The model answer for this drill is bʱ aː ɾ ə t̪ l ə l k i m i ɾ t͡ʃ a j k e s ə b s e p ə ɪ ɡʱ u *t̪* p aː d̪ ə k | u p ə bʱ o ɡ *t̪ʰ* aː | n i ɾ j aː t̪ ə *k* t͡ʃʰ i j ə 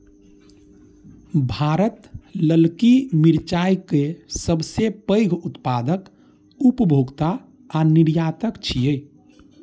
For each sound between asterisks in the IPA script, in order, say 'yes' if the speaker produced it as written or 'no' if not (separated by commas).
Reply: yes, no, yes